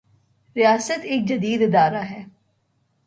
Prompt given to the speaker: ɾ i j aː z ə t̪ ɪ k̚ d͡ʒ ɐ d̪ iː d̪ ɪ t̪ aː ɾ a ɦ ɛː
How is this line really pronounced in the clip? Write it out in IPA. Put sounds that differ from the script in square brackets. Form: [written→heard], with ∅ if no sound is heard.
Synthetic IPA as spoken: ɾ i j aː [z→s] ə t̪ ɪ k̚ d͡ʒ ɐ d̪ iː d̪ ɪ [t̪→d̪] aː ɾ a ɦ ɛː